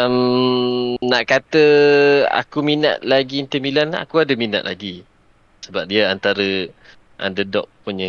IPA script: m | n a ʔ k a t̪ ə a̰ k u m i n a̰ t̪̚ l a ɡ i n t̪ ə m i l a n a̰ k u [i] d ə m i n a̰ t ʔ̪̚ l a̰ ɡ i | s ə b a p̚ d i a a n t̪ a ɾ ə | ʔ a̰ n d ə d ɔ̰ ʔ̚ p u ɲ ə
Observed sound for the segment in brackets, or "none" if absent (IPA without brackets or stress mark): a